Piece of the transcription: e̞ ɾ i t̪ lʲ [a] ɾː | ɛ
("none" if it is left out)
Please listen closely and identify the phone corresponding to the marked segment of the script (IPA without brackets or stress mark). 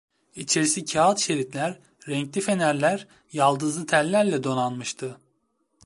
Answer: æ